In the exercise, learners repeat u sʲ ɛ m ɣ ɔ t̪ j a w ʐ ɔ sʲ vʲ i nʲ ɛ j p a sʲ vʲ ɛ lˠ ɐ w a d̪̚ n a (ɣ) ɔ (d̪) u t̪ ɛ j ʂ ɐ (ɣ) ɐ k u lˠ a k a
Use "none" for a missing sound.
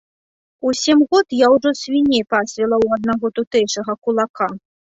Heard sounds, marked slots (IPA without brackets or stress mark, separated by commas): ɣ, t̪, ɣ